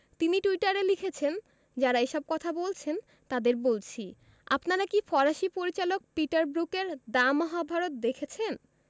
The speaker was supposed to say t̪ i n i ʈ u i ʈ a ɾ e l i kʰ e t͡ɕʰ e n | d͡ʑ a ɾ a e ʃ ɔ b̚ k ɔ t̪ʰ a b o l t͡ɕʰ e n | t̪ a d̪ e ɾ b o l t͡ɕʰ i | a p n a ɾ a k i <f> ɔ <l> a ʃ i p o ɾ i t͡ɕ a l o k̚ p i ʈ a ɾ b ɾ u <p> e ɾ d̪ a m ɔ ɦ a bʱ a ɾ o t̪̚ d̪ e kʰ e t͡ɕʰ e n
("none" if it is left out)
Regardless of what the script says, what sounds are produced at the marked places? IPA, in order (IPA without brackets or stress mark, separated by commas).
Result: f, ɾ, k